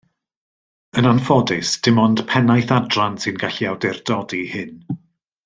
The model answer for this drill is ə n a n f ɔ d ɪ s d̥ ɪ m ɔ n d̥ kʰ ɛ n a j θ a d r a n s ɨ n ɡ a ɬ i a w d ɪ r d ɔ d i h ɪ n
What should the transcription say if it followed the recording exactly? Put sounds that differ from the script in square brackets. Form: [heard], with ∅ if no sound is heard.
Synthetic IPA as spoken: ə n a n f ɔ d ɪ s d̥ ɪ m ɔ n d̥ [pʰ] ɛ n a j θ a d r a n s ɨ n ɡ a ɬ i a w d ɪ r d ɔ d i h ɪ n